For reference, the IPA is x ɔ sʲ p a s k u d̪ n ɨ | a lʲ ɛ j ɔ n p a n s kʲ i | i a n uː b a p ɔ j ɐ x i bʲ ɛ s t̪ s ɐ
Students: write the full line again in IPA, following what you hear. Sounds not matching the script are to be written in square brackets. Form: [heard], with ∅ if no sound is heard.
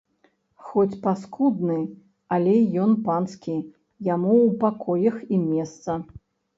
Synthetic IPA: x ɔ [t͡sʲ] p a s k u d̪ n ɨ | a lʲ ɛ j ɔ n p a n s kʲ i | [j] a [m] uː [p] a [k] ɔ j ɐ x i [mʲ] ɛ s t̪ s ɐ